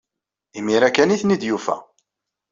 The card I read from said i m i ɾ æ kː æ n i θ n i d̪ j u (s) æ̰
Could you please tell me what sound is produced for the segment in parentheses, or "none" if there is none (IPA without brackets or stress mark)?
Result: f